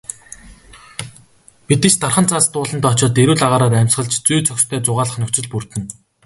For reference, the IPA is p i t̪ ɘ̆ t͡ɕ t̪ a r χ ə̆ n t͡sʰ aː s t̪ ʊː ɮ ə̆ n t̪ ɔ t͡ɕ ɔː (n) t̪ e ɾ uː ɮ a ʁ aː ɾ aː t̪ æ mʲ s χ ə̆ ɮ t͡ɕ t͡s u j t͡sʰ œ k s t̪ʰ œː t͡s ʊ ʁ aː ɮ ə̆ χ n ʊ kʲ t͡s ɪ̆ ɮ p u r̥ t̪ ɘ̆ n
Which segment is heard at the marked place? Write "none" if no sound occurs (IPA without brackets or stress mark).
none